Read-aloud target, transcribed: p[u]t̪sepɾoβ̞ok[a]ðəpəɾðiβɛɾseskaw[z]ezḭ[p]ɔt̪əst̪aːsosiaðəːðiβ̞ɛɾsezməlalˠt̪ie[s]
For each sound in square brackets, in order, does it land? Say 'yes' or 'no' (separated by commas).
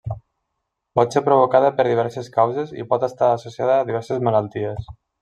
no, yes, yes, yes, yes